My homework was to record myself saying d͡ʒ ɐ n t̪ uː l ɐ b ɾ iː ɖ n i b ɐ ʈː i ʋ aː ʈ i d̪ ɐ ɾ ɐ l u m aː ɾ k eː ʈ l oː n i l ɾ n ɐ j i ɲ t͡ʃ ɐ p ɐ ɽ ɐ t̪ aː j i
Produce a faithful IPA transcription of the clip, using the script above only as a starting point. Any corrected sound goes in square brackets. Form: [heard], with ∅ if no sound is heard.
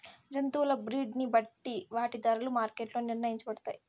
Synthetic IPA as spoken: d͡ʒ ɐ n t̪ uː l ɐ b ɾ iː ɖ n i b ɐ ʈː i ʋ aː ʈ i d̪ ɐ ɾ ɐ l u m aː ɾ k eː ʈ l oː n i [∅] ɾ n ɐ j i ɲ t͡ʃ ɐ [b] ɐ ɽ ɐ t̪ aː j i